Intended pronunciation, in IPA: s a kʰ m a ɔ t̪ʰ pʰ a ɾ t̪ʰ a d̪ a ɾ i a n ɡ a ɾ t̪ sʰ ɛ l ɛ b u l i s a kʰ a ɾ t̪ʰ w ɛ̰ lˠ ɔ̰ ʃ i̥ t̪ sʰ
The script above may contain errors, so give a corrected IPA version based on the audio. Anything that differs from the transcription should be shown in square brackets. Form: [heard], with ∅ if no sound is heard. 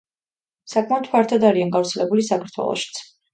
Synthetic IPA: s a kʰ m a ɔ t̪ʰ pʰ a ɾ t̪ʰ a d̪ a ɾ i a n ɡ a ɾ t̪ sʰ ɛ l ɛ b u l i s a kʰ a ɾ t̪ʰ w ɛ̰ lˠ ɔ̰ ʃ i̥ t̪ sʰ